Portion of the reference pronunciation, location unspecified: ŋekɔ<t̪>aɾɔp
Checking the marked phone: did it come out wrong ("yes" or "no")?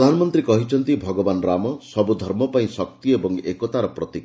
no